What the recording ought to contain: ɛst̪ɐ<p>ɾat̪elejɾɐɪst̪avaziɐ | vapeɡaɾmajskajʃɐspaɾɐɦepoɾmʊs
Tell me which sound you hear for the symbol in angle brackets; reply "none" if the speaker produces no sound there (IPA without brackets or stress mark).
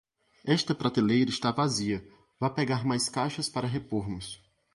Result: p